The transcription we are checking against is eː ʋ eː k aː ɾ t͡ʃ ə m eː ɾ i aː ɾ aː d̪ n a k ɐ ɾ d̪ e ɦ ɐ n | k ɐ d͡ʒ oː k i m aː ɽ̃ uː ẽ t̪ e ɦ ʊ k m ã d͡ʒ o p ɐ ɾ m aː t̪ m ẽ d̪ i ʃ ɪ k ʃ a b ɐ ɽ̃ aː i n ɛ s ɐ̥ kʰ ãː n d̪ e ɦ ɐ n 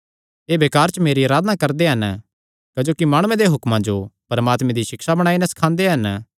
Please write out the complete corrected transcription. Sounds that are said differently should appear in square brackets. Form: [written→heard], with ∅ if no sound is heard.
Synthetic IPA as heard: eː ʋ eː k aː ɾ t͡ʃ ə m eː ɾ i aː ɾ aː d̪ n a k ɐ ɾ d̪ e ɦ ɐ n | k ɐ d͡ʒ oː k i m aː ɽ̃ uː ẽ [t̪→d̪] e ɦ ʊ k m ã d͡ʒ o p ɐ ɾ m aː t̪ m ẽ d̪ i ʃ ɪ k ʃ a b ɐ ɽ̃ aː i n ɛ s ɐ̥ kʰ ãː n d̪ e ɦ ɐ n